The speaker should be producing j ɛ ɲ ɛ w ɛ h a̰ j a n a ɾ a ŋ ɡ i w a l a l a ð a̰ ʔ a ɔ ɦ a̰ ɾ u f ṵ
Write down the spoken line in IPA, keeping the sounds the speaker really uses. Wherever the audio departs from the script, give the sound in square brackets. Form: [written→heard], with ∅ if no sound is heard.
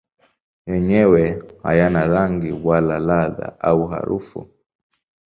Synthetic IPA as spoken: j ɛ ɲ ɛ w ɛ h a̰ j a n a ɾ a ŋ ɡ i w a l a l a ð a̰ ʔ a [ɔ→u] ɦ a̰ ɾ u f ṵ